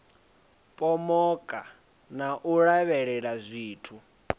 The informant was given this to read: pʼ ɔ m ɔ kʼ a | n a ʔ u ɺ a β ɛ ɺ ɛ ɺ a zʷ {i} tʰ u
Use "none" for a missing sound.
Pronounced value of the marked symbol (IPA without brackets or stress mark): iː